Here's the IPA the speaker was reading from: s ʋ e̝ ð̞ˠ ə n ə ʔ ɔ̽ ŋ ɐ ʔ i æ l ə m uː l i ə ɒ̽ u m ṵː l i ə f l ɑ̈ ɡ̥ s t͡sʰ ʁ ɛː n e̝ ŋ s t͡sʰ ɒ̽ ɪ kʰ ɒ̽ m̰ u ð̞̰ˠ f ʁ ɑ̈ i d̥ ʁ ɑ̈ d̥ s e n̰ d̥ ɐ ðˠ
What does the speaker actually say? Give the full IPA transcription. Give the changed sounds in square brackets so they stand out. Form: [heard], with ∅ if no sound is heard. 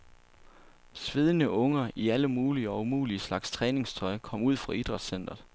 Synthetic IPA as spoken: s ʋ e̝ ð̞ˠ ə n ə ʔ ɔ̽ ŋ ɐ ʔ i æ l ə m uː l i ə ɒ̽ u m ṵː l i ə [s] l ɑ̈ ɡ̥ s t͡sʰ ʁ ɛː n e̝ ŋ s t͡sʰ ɒ̽ ɪ kʰ ɒ̽ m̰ u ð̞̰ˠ f ʁ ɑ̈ i d̥ ʁ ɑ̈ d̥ s e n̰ d̥ ɐ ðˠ